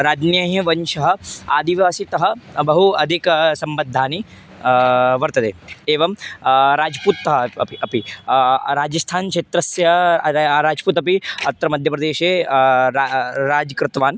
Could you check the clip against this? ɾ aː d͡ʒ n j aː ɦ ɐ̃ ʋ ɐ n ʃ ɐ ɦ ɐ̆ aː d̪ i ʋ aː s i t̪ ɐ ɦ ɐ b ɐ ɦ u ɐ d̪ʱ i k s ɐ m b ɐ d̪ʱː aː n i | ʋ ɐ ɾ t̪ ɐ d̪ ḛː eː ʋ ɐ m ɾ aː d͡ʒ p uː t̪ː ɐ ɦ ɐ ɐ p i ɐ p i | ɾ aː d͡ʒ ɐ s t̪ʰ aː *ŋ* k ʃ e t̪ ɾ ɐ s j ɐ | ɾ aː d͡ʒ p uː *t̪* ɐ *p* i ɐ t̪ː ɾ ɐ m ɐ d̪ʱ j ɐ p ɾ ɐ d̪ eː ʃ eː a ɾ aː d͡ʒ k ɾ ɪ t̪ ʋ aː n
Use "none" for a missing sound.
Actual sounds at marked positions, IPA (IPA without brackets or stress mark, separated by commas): n, t̪, p